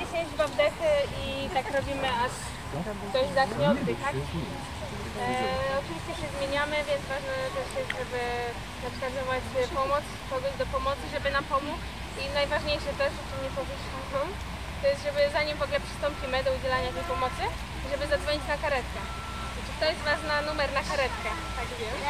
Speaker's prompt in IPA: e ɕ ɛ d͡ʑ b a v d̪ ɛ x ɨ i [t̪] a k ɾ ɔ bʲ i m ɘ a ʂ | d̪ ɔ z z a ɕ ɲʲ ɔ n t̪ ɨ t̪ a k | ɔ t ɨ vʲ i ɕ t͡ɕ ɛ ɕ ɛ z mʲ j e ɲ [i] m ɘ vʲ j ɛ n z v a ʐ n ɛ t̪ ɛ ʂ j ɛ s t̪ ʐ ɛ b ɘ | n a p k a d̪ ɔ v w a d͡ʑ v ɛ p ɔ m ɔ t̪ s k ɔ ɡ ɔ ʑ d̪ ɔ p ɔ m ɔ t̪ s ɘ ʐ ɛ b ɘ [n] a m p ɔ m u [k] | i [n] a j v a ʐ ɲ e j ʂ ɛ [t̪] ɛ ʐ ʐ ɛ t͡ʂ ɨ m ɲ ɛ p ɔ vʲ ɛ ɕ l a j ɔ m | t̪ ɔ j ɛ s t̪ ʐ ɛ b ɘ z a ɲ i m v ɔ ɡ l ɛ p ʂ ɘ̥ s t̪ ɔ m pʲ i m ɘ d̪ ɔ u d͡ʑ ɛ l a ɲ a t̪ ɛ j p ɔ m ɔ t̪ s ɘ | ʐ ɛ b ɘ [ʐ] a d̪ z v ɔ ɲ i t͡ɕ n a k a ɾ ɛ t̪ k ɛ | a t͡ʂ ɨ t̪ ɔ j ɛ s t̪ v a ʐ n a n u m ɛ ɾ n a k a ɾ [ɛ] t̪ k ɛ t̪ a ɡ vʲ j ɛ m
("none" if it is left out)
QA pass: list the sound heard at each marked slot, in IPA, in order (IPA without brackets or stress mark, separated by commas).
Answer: t̪, a, n, k, n, t̪, z, ɛ